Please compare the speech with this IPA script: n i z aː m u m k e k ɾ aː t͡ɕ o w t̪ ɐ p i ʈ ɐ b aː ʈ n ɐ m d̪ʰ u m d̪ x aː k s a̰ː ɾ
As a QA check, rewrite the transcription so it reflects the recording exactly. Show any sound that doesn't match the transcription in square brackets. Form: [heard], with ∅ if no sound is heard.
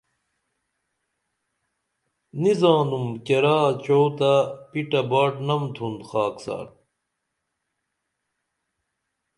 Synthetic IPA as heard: n i z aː [n] u m k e [∅] ɾ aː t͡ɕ o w t̪ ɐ p i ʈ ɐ b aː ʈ n ɐ m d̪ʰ u [n] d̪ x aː k s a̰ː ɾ